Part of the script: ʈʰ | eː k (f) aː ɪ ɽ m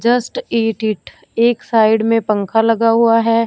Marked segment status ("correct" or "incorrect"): incorrect